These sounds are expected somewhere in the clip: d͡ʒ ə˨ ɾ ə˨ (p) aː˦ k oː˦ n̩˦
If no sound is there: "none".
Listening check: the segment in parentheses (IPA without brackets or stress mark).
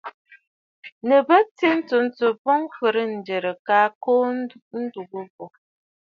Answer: k